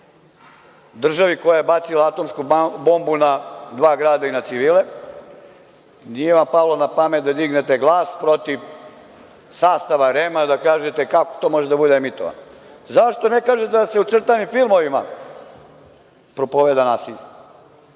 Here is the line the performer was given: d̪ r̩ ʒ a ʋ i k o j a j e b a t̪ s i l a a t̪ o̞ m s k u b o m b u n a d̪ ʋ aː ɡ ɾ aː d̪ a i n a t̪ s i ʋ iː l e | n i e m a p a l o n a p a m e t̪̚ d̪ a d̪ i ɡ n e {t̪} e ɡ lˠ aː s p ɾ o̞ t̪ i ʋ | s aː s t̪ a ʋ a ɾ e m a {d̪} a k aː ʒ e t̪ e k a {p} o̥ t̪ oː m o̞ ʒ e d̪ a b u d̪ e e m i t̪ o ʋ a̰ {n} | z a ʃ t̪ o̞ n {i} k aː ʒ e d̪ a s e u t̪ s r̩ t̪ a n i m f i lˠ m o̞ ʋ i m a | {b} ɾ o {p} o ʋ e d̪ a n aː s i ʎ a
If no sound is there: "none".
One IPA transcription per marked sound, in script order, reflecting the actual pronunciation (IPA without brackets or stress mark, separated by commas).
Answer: t̪, d̪, k, n, e, p, p